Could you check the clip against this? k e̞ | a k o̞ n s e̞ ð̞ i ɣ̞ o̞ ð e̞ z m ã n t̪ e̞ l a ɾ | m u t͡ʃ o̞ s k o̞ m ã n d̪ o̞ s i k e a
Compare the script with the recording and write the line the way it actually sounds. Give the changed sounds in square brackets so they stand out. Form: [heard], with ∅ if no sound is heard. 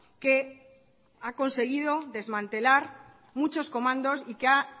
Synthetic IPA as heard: k e̞ | a k o̞ n s e̞ [ɣ̞] i [ð̞] o̞ ð e̞ z m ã n t̪ e̞ l a ɾ | m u t͡ʃ o̞ s k o̞ m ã n d̪ o̞ s i k e a

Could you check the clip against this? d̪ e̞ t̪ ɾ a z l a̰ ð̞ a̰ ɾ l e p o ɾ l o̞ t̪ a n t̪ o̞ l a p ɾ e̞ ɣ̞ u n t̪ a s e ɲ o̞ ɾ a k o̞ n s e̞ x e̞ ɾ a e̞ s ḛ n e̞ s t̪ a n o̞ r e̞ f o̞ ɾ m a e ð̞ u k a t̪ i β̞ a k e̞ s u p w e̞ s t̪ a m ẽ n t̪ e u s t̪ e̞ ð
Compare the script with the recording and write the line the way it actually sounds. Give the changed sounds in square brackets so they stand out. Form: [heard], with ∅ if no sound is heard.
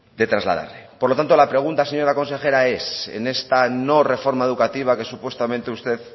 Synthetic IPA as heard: d̪ e̞ t̪ ɾ a z l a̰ ð̞ a̰ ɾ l e p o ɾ l o̞ t̪ a n t̪ o̞ l a p ɾ e̞ ɣ̞ u n t̪ a s e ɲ o̞ ɾ a k o̞ n s e̞ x e̞ ɾ a e̞ s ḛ n e̞ s t̪ a n o̞ r e̞ f o̞ ɾ m a e ð̞ u k a t̪ i β̞ a k e̞ s u p w e̞ s t̪ a m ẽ n t̪ e u s t̪ e̞ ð

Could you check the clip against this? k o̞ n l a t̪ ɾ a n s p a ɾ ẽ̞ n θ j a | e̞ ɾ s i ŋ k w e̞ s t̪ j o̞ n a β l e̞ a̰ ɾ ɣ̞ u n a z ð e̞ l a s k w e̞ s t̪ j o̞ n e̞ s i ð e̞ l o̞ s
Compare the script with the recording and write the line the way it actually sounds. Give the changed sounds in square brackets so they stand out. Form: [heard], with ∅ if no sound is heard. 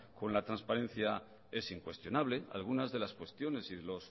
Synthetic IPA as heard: k o̞ n l a t̪ ɾ a n s p a ɾ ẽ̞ n θ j a | e̞ [∅] s i ŋ k w e̞ s t̪ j o̞ n a β l e̞ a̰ [l] ɣ̞ u n a z ð e̞ l a s k w e̞ s t̪ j o̞ n e̞ s i ð e̞ l o̞ s

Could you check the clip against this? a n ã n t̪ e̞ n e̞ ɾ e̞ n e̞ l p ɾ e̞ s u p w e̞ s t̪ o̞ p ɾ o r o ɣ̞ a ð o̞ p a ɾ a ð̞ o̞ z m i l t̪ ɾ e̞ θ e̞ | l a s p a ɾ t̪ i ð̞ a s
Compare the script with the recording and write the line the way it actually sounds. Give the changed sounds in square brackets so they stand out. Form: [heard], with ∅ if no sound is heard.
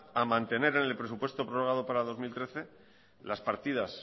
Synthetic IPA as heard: a [m] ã n t̪ e̞ n e̞ ɾ e̞ n e̞ l p ɾ e̞ s u p w e̞ s t̪ o̞ p ɾ o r o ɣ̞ a ð o̞ p a ɾ a ð̞ o̞ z m i l t̪ ɾ e̞ θ e̞ | l a s p a ɾ t̪ i ð̞ a s

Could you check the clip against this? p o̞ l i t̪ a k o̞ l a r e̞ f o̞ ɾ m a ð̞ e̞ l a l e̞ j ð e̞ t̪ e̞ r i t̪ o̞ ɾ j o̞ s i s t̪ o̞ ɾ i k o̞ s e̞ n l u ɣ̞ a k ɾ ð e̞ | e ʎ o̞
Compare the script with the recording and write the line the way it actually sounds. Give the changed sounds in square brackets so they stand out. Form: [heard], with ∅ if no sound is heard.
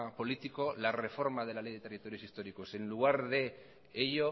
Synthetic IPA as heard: p o̞ l i t̪ [i] k o̞ l a r e̞ f o̞ ɾ m a ð̞ e̞ l a l e̞ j ð e̞ t̪ e̞ r i t̪ o̞ ɾ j o̞ s i s t̪ o̞ ɾ i k o̞ s e̞ n l u ɣ̞ a [∅] ɾ ð e̞ | e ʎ o̞

